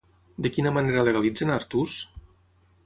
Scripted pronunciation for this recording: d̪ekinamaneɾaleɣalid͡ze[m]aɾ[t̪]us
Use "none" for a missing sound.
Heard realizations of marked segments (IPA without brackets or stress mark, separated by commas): n, t̪